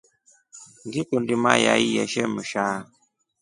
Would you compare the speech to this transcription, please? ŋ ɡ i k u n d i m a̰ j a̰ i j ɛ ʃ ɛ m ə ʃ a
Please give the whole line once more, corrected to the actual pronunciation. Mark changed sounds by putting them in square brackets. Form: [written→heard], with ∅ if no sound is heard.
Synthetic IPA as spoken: ŋ ɡ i k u n d i m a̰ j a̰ i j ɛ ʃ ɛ m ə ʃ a